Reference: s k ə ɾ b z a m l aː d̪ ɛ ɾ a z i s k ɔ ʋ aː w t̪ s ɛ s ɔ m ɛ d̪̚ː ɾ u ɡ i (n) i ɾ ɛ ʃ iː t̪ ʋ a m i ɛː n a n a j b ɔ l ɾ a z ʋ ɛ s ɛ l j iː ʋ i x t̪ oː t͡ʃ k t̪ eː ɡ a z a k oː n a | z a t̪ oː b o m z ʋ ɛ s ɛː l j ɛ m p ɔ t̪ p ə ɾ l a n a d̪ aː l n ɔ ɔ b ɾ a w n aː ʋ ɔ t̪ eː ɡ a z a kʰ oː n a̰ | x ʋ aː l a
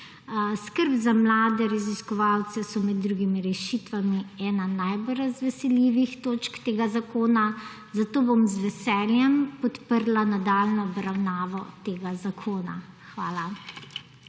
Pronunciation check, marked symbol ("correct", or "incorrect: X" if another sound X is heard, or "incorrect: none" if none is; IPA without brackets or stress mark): incorrect: m